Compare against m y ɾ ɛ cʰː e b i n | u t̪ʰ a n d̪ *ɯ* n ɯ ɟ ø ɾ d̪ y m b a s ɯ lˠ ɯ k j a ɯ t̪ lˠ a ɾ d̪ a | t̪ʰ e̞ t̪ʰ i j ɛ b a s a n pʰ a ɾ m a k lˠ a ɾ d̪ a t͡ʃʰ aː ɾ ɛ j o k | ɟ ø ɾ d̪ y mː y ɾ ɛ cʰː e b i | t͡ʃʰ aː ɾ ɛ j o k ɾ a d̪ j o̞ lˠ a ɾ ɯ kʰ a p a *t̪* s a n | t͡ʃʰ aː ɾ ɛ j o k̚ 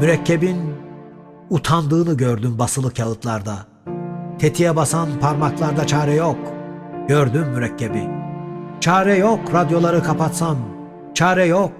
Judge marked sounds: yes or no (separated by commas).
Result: no, yes